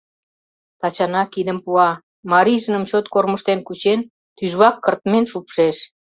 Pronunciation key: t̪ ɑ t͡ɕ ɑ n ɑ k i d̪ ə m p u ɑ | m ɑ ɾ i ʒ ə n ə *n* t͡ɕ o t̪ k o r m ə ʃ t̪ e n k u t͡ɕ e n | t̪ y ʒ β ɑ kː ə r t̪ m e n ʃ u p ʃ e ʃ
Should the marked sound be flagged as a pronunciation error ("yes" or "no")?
yes